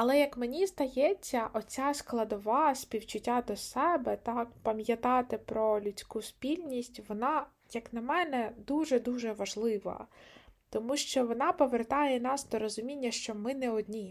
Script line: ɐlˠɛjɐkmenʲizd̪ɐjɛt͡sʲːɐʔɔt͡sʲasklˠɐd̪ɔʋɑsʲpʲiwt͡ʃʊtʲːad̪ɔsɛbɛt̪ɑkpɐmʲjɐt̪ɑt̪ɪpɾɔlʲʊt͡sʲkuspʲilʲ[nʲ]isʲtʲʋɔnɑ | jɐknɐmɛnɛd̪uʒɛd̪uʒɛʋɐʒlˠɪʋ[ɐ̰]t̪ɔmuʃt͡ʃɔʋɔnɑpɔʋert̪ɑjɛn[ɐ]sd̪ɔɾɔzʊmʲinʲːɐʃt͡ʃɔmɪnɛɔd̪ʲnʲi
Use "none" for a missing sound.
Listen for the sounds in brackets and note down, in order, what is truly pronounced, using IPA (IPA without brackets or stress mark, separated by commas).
nʲ, ɐ̰, ɑ